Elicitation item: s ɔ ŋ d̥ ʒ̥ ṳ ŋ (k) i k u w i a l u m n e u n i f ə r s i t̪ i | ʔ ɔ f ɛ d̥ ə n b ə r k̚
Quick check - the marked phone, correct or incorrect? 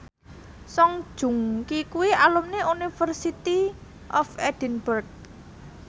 correct